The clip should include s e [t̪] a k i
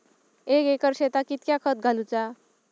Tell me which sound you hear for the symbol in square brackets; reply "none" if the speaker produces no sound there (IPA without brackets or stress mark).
t̪